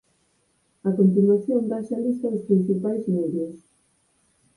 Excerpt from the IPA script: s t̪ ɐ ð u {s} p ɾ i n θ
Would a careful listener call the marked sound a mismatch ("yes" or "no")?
no